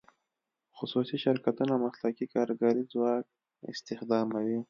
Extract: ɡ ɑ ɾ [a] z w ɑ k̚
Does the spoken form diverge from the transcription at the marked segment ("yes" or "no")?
yes